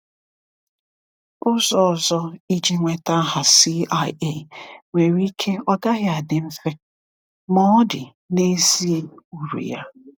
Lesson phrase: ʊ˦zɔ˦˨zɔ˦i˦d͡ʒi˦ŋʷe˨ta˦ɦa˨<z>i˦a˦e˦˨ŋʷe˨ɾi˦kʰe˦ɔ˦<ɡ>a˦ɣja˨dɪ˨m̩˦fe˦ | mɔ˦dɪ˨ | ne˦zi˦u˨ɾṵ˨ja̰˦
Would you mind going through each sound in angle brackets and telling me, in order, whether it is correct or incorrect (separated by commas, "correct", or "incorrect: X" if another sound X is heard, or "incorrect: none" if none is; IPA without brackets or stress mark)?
incorrect: s, correct